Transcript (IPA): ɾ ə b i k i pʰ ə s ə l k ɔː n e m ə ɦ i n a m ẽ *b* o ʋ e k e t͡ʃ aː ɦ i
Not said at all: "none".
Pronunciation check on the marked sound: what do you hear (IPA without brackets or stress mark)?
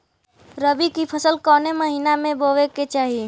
b